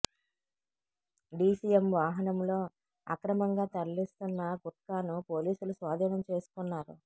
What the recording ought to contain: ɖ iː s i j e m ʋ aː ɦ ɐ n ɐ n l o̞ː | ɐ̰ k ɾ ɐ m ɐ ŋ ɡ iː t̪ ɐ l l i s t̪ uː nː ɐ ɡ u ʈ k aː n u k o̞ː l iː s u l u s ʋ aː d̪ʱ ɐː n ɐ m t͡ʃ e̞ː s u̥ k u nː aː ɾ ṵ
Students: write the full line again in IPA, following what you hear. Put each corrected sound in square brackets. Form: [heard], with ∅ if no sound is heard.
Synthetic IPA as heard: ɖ iː s i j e m ʋ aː ɦ ɐ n ɐ [m] l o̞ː | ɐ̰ k ɾ ɐ m ɐ ŋ ɡ [aː] t̪ ɐ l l i s t̪ [u] nː ɐ ɡ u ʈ k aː n u [p] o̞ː l iː s u l u s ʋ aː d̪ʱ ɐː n ɐ m t͡ʃ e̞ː s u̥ k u nː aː ɾ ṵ